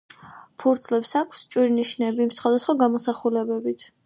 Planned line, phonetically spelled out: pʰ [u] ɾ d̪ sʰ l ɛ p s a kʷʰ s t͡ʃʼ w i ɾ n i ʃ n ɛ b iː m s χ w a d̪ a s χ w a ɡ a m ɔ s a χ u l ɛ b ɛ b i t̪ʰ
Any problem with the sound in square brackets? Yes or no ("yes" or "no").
no